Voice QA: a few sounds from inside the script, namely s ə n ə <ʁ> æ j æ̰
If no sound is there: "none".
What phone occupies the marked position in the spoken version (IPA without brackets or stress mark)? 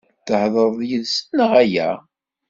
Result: ʁ